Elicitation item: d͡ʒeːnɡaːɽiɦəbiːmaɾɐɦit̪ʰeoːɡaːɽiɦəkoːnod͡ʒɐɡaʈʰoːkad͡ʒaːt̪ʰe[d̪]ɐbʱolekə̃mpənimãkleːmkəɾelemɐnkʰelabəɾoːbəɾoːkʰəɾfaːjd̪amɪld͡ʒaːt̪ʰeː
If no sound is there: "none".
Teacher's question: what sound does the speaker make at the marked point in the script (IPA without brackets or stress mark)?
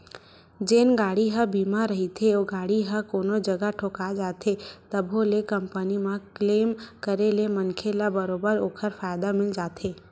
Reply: t̪